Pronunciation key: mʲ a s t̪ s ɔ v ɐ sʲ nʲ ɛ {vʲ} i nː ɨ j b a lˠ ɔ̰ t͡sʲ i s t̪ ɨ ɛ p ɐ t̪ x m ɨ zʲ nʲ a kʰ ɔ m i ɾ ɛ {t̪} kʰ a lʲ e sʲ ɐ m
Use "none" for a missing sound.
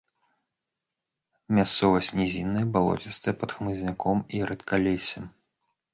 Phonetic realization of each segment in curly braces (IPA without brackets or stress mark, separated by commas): zʲ, t̪